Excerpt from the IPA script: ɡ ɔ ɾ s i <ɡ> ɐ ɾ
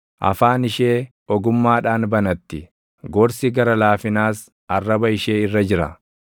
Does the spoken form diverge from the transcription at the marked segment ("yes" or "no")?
no